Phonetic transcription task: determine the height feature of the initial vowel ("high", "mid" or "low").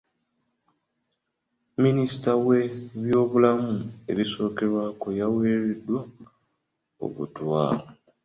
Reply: high